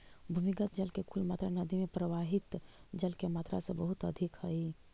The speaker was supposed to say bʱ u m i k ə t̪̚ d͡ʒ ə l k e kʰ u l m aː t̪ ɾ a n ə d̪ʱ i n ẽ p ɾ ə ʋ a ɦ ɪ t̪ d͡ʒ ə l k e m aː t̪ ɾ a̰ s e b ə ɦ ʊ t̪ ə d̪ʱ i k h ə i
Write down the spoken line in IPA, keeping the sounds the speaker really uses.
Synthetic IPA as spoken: bʱ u m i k ə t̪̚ d͡ʒ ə l k e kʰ u l m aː t̪ ɾ a n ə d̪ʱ i m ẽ p ɾ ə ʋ a ɦ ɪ t̪ d͡ʒ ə l k e m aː t̪ ɾ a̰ s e b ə ɦ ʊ t̪ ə d̪ʱ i k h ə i

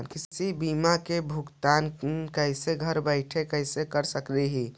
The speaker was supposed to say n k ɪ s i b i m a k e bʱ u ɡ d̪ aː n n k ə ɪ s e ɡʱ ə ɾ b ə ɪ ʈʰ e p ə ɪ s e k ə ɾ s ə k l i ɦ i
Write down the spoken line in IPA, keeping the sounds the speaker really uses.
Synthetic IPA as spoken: n k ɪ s i b i m a k e bʱ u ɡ t̪ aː n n k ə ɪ s e ɡʱ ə ɾ b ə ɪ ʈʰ e k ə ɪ s e k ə ɾ s ə k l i ɦ i

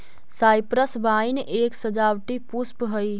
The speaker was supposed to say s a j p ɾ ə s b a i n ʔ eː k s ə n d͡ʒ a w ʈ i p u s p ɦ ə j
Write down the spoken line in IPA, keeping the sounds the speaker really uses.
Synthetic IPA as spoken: s a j p ɾ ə s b a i n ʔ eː k s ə d͡ʒ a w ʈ i p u s p ɦ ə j

